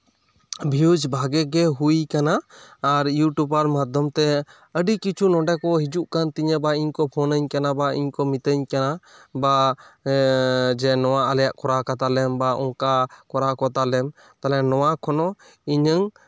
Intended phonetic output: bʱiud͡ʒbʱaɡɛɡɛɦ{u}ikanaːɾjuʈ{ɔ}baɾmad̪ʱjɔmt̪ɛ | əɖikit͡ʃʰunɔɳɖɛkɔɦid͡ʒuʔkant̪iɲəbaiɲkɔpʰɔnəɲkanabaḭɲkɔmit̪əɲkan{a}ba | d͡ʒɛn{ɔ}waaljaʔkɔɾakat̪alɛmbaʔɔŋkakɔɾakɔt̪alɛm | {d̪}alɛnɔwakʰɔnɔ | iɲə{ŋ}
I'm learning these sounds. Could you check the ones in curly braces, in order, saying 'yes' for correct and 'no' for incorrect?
yes, no, yes, yes, no, yes

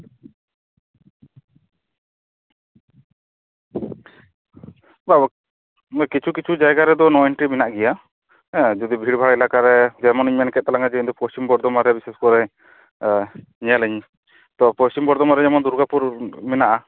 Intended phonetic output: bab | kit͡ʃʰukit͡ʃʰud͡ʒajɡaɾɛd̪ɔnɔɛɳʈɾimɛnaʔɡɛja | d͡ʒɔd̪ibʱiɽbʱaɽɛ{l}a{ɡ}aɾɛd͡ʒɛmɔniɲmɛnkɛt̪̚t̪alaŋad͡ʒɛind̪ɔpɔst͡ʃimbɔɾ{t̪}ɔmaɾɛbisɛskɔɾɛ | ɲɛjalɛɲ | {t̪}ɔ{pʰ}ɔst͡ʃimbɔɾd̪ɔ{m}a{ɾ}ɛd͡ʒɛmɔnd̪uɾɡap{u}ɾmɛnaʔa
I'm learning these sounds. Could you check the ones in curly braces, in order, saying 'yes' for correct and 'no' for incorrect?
yes, no, no, yes, no, yes, yes, yes

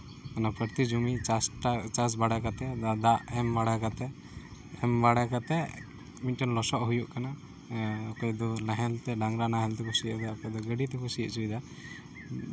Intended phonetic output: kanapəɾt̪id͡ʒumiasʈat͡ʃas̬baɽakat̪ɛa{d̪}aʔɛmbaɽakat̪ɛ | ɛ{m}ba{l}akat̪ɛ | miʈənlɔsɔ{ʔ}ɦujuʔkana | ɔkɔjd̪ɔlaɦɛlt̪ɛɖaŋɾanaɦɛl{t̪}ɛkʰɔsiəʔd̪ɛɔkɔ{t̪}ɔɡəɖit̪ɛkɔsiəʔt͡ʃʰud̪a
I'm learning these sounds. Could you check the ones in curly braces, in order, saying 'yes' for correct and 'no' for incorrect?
yes, yes, no, yes, yes, no

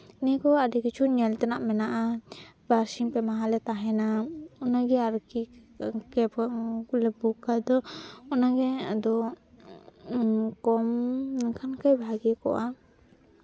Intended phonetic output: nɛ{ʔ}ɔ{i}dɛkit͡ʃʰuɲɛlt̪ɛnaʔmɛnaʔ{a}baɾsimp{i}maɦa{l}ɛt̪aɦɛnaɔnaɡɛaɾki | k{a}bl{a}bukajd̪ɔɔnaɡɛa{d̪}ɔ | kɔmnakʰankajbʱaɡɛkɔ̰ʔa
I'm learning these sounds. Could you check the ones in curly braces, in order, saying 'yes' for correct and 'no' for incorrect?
no, no, yes, no, yes, no, no, yes

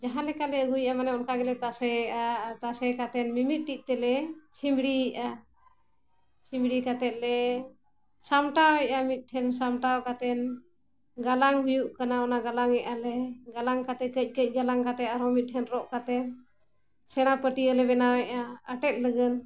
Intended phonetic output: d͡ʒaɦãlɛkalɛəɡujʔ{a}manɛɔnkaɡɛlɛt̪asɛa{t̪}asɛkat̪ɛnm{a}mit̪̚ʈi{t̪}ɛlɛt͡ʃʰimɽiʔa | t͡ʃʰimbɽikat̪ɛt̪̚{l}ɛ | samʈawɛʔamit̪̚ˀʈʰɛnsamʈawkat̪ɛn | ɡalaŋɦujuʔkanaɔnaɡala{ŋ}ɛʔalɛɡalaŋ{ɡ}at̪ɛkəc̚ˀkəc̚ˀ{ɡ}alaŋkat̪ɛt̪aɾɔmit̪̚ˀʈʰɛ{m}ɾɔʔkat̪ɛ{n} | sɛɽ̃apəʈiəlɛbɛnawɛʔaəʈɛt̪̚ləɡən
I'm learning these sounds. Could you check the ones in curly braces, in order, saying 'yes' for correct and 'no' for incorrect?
yes, yes, no, yes, yes, yes, no, yes, no, yes

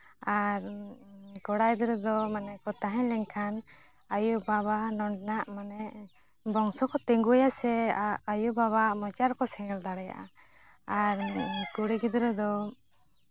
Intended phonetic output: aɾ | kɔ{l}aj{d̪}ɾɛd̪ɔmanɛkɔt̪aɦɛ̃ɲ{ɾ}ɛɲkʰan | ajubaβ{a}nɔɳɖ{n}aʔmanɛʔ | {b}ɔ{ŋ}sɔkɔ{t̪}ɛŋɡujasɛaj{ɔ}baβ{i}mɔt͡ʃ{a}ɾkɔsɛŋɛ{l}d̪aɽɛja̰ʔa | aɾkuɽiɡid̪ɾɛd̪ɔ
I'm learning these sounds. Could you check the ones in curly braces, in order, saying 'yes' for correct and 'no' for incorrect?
no, yes, no, yes, yes, yes, yes, yes, no, no, yes, yes

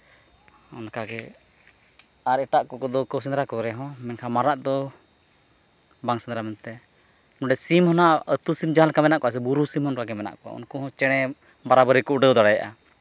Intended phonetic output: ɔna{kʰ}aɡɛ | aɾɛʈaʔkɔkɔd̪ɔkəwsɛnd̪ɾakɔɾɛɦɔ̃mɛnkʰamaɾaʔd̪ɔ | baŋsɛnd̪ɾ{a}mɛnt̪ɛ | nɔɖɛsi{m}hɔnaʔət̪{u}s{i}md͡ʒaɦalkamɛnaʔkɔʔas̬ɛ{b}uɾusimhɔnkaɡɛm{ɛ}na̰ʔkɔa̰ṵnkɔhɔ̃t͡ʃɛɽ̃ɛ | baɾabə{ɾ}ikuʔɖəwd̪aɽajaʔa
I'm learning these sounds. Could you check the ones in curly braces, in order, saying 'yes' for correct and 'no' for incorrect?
no, yes, yes, yes, yes, yes, yes, yes

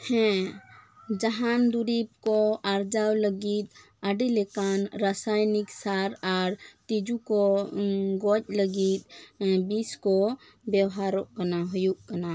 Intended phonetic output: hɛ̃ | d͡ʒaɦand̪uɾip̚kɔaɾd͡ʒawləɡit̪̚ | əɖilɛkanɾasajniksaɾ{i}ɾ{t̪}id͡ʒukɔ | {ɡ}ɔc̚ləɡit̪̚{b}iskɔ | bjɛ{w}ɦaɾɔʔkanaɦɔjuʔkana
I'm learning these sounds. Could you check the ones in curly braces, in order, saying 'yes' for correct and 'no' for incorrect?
no, yes, yes, yes, yes

